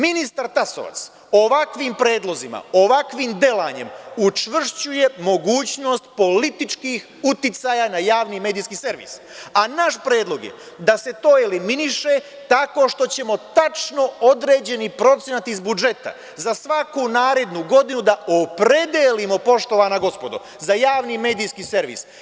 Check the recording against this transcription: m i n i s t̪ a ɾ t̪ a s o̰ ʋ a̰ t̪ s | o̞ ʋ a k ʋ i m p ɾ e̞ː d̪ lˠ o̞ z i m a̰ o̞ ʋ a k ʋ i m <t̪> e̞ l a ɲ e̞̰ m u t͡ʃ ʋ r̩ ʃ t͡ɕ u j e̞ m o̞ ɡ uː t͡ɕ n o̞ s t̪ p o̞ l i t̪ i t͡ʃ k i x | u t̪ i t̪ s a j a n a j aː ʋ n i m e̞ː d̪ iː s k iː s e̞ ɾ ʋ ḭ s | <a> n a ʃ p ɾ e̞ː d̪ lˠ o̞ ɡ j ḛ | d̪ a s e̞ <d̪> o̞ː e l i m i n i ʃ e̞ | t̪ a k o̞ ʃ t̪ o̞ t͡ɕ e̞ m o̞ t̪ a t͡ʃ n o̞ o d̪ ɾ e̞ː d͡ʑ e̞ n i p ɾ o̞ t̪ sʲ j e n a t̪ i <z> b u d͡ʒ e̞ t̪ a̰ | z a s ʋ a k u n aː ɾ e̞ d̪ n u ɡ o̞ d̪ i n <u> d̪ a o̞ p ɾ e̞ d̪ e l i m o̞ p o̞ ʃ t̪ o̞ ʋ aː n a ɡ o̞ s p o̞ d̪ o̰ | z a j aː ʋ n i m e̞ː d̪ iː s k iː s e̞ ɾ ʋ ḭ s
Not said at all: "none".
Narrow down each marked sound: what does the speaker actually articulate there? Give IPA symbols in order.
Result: d̪, a, t̪, z, u

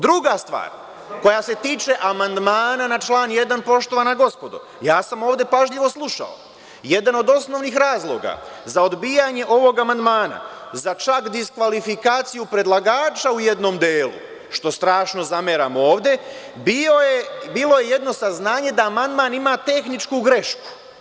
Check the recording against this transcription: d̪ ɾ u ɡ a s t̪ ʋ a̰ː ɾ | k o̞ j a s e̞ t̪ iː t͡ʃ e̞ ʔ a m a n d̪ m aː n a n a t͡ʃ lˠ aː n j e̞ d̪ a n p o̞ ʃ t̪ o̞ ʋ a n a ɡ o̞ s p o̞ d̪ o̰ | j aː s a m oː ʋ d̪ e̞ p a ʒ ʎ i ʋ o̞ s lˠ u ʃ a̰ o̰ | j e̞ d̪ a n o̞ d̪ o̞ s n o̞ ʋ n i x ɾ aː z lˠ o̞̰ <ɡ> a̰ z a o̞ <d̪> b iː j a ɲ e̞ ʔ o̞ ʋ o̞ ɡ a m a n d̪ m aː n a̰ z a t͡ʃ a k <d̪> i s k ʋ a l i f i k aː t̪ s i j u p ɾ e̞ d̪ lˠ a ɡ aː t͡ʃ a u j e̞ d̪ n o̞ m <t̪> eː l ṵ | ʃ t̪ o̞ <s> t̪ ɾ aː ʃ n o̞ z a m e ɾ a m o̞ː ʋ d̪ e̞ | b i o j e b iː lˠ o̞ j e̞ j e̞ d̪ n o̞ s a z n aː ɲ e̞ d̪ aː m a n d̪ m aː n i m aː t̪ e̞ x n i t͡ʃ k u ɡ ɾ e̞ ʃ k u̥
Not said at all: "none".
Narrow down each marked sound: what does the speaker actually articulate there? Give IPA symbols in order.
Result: ɡ, d̪, d̪, d̪, s

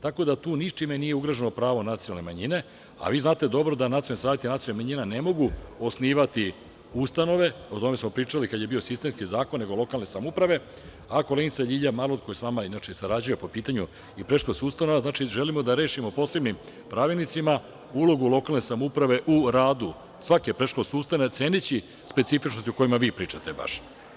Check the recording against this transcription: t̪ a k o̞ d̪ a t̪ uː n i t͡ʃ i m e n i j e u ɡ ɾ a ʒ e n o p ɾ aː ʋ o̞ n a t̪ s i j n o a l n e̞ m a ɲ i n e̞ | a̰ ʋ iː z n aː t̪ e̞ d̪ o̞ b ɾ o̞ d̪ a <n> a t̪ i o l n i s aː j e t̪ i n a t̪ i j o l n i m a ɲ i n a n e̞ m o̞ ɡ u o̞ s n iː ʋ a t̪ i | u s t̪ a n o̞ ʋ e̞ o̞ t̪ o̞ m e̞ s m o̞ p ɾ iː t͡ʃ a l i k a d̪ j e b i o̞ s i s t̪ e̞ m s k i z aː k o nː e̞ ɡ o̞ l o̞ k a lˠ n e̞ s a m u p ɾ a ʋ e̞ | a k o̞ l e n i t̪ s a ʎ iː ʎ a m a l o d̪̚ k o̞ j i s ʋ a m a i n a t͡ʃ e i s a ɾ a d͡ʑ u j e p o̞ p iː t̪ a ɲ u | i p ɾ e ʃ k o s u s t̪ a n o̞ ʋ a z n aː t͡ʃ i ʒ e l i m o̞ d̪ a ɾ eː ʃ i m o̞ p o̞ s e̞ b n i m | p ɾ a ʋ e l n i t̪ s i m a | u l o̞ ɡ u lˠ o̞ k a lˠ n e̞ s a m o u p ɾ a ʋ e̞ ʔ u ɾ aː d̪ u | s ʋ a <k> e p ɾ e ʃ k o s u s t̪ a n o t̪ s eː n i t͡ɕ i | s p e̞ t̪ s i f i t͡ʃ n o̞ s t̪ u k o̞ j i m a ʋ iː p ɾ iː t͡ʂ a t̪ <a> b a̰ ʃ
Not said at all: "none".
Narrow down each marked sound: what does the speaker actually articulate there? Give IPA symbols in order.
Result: n, k, e

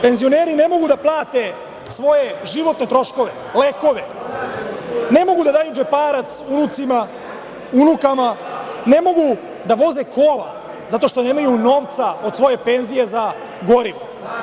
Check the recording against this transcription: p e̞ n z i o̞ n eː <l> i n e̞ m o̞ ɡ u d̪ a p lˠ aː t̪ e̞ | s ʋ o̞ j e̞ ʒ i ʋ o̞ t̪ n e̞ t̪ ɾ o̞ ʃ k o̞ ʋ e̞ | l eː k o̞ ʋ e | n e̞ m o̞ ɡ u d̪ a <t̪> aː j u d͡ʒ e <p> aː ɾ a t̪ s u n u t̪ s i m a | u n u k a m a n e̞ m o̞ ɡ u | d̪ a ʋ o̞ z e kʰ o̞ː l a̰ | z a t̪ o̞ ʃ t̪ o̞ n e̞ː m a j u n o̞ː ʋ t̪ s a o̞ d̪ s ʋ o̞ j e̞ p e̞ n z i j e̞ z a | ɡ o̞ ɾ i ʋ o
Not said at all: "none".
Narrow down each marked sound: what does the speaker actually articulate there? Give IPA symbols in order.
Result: ɾ, d̪, p

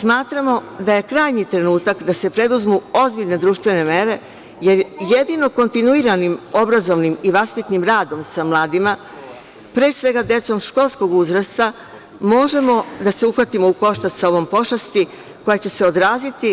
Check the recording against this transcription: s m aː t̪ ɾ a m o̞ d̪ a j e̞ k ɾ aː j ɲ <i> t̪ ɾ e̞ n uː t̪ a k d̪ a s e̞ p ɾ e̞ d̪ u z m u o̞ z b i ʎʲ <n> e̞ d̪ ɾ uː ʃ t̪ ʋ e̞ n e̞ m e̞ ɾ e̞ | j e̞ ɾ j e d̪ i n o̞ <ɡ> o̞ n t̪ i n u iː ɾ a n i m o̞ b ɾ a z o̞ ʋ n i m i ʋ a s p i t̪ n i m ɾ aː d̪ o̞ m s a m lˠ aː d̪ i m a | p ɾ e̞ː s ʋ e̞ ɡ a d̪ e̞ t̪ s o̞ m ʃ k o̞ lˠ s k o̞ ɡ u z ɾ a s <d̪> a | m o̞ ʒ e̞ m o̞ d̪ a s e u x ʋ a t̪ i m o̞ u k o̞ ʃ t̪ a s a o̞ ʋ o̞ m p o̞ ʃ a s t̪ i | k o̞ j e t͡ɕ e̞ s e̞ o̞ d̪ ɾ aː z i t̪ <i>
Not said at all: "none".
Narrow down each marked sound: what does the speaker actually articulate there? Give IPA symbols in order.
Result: i, n, k, t̪, i

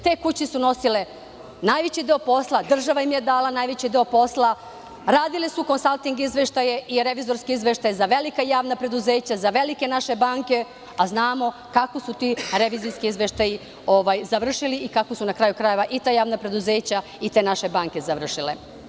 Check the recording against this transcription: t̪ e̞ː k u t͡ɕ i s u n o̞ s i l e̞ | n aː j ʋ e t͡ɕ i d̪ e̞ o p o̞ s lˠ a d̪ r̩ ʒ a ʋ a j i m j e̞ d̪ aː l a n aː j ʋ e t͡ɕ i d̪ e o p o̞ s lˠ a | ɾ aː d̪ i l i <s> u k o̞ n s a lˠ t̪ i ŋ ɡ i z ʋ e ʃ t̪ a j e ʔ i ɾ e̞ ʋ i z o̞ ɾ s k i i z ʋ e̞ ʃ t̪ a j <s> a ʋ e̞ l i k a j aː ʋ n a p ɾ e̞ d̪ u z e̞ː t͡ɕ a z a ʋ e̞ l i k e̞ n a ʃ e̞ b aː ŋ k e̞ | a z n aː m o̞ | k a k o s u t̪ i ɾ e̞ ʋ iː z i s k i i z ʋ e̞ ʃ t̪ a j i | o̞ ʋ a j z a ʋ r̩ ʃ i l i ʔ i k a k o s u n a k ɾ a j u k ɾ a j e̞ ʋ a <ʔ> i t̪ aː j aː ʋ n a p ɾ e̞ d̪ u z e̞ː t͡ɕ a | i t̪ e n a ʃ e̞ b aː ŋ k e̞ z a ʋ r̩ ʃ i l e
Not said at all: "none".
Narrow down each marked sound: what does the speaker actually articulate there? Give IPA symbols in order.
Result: s, z, ʔ

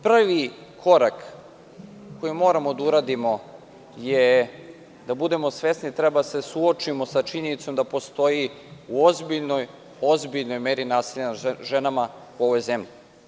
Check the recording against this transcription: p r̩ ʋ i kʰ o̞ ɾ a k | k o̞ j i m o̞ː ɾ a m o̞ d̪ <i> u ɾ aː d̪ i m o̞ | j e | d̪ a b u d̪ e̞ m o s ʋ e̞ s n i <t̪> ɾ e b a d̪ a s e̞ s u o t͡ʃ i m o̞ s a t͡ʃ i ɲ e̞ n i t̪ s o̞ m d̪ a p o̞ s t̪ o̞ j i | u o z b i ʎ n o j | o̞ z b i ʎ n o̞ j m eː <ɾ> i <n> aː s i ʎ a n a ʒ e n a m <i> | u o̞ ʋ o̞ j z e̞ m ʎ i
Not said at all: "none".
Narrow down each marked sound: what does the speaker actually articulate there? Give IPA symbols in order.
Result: a, t̪, ɾ, n, a

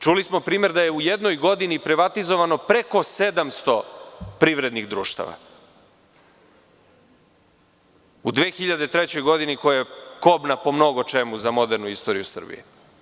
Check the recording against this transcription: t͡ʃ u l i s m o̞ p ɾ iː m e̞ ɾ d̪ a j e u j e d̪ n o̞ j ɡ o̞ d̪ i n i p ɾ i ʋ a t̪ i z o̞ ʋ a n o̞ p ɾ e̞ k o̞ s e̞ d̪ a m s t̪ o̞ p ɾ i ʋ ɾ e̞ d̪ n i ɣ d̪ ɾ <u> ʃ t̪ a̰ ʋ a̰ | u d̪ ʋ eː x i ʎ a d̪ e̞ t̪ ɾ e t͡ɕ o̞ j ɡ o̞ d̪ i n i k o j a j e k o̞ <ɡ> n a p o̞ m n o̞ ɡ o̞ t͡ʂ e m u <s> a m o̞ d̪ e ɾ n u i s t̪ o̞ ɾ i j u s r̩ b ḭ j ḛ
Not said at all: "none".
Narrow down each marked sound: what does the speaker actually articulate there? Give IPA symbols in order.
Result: uː, b, z

